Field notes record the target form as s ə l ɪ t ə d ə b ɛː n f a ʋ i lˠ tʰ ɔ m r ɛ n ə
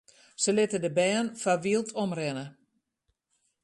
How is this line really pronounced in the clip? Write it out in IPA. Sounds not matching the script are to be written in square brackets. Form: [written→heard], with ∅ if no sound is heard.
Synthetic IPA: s ə l ɪ t ə d ə b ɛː n f a ʋ i lˠ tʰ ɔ m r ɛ n ə